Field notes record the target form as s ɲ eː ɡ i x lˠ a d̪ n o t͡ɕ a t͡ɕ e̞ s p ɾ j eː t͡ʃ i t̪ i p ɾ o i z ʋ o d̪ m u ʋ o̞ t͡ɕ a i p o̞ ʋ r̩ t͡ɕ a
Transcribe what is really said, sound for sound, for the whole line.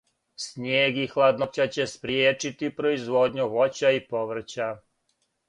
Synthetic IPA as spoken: s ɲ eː ɡ i x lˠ a d̪ n o t͡ɕ a t͡ɕ e̞ s p ɾ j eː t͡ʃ i t̪ i p ɾ o i z ʋ o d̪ ɲ u ʋ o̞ t͡ɕ a i p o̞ ʋ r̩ t͡ɕ a